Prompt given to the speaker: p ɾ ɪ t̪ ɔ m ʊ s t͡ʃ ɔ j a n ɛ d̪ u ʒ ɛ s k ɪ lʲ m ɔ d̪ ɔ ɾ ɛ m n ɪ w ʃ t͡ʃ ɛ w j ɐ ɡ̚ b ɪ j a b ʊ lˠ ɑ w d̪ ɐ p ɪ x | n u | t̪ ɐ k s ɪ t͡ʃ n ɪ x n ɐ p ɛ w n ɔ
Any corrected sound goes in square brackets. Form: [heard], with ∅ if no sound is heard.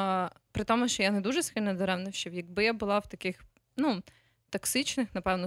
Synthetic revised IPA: p ɾ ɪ t̪ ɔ m ʊ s t͡ʃ ɔ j a n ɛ d̪ u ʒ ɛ s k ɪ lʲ [n] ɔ d̪ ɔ ɾ ɛ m n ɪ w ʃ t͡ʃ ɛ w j ɐ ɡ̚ b ɪ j a b ʊ lˠ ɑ w [t̪] ɐ [k] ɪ x | n u | t̪ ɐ k s ɪ t͡ʃ n ɪ x n ɐ p ɛ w n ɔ